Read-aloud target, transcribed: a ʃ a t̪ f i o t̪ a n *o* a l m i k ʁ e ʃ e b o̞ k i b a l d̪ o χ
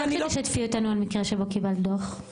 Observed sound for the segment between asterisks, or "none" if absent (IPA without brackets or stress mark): u